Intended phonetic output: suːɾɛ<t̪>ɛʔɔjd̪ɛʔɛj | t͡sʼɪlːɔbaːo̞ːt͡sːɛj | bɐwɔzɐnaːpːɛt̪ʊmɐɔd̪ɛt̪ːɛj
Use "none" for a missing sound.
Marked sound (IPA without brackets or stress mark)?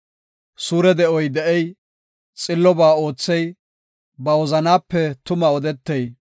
d̪